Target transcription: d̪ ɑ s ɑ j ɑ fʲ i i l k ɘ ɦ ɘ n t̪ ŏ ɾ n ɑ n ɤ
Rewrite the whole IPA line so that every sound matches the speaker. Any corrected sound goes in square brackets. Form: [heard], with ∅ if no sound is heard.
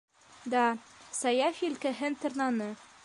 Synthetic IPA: d̪ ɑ s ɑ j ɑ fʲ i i l k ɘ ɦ ɘ n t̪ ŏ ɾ n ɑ n ɤ